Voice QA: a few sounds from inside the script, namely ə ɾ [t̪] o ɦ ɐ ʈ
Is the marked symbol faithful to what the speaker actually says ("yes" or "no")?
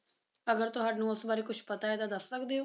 yes